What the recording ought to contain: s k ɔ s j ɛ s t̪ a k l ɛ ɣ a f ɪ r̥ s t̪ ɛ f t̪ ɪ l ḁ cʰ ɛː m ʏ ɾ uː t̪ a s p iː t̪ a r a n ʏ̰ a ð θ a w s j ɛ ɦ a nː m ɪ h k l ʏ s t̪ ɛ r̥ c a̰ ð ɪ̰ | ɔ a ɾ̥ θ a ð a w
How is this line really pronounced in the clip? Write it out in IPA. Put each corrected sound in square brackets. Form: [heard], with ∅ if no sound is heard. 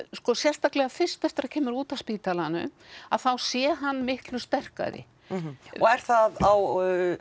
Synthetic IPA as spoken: s k ɔ s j ɛ s t̪ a k l ɛ ɣ a f ɪ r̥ s t̪ ɛ f t̪ ɪ [ɾ] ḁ cʰ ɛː m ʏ ɾ uː t̪ a s p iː t̪ a [l] a n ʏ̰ a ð θ a w s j ɛ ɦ a nː m ɪ h k l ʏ s t̪ ɛ r̥ [k] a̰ ð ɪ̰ | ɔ [ɛ] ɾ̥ θ a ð a w